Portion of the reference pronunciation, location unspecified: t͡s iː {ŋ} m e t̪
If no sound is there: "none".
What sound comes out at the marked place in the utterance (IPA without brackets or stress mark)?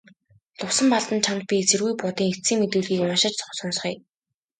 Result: ŋ